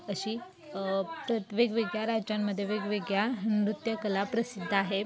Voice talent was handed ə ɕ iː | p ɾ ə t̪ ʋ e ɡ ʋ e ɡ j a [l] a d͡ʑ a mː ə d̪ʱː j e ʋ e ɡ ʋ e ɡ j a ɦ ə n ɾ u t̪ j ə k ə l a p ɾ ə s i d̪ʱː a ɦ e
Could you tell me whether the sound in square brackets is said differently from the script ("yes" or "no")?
yes